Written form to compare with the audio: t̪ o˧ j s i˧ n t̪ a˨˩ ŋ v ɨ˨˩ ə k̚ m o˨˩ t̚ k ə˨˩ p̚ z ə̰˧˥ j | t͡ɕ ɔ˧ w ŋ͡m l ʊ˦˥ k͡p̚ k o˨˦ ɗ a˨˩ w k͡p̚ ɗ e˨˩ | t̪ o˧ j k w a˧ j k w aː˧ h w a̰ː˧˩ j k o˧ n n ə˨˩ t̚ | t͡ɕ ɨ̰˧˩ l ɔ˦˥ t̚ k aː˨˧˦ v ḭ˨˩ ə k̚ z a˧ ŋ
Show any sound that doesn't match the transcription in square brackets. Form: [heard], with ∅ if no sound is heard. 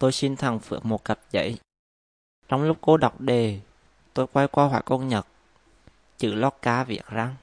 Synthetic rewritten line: t̪ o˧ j s i˧ n [t̪ʰ] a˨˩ ŋ [f] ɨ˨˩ ə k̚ m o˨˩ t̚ k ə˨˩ p̚ z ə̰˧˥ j | t͡ɕ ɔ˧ w ŋ͡m l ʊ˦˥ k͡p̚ k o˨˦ ɗ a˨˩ w k͡p̚ ɗ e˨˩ | t̪ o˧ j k w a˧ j k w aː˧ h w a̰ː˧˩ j k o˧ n [ɲ] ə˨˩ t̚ | t͡ɕ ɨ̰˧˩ l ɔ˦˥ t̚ k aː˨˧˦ v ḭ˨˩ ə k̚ z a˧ ŋ